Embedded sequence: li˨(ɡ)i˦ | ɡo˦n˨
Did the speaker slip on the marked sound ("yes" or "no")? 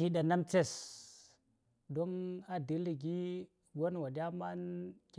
no